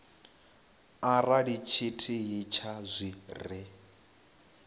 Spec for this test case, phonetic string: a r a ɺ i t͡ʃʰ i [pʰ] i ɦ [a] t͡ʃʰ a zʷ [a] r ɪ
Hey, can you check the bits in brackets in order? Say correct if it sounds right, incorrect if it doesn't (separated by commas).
incorrect, incorrect, incorrect